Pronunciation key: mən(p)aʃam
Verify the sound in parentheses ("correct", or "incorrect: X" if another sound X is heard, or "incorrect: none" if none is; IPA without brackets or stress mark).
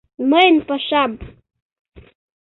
correct